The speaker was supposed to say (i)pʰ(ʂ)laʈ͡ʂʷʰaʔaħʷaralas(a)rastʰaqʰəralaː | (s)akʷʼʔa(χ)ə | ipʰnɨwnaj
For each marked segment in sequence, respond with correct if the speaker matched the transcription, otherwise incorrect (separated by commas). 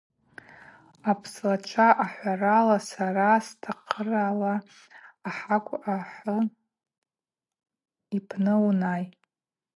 incorrect, incorrect, correct, incorrect, incorrect